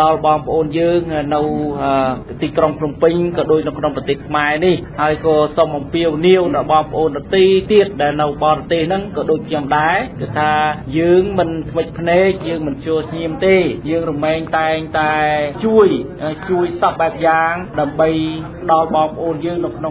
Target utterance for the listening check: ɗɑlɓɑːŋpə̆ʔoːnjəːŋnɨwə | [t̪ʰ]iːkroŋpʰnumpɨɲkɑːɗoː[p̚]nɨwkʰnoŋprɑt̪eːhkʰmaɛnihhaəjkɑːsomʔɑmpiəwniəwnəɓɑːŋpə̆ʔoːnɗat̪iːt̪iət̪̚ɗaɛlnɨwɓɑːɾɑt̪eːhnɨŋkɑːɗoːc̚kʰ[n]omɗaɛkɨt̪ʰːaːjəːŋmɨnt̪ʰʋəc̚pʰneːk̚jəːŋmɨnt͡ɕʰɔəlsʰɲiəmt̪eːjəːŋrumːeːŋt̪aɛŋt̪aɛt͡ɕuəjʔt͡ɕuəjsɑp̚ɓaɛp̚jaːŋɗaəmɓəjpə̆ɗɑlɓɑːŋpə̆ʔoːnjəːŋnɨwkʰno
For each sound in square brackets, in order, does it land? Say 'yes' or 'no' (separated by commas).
no, no, no